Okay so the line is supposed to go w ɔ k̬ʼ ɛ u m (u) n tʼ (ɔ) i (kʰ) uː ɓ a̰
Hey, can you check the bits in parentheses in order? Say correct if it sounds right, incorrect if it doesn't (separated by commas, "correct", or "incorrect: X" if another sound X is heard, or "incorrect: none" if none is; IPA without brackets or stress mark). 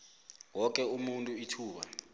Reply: correct, incorrect: u, incorrect: tʰ